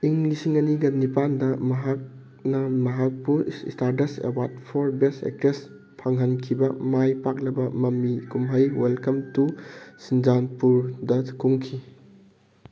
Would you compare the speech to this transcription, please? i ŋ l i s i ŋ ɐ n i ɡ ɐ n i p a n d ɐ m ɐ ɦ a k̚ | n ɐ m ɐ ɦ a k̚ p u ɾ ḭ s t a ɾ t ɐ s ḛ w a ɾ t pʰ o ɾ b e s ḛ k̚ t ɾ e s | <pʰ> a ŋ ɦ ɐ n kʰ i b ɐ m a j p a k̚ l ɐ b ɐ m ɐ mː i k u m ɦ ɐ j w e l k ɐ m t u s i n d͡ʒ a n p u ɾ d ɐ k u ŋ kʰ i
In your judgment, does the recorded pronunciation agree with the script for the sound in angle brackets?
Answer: yes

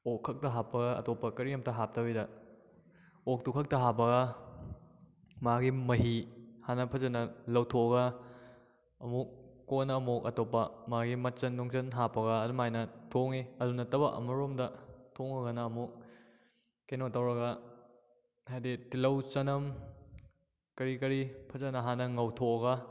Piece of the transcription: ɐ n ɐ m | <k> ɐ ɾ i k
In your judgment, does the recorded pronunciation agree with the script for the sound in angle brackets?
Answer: yes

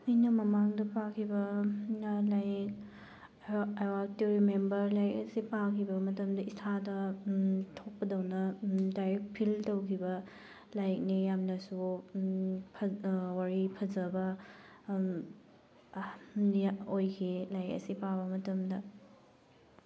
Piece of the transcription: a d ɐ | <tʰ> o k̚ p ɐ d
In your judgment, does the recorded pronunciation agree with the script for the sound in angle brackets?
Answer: yes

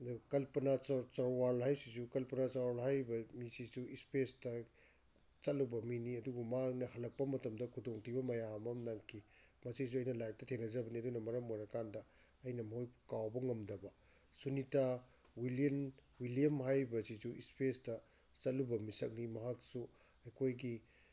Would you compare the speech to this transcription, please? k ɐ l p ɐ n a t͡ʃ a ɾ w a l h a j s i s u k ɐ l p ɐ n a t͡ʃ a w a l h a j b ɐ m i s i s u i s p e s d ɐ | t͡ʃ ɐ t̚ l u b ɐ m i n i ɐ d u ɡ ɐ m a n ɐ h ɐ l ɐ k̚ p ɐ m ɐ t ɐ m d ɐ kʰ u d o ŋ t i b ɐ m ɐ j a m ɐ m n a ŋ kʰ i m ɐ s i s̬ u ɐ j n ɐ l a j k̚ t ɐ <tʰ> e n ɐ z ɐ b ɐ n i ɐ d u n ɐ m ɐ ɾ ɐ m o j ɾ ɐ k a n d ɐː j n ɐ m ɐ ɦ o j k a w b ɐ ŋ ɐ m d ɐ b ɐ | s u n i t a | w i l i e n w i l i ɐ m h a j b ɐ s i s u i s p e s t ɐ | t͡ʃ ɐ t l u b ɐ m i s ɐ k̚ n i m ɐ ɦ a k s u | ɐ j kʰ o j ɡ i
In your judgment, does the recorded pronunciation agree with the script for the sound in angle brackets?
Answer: yes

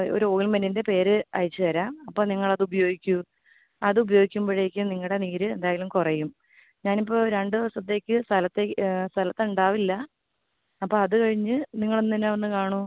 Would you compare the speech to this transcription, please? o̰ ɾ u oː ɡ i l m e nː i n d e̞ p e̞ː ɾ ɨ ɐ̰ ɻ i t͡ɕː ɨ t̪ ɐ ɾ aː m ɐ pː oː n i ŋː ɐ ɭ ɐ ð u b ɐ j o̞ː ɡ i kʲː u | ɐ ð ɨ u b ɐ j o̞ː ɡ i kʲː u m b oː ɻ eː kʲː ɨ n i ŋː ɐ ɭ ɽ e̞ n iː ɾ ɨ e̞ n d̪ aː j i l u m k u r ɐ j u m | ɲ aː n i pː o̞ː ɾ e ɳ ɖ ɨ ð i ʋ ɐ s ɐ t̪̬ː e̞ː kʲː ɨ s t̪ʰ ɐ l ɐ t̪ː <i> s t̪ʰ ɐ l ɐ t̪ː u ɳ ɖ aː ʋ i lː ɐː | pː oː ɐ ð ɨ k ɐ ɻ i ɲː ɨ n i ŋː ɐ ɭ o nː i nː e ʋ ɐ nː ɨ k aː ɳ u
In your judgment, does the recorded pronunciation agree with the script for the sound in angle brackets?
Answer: no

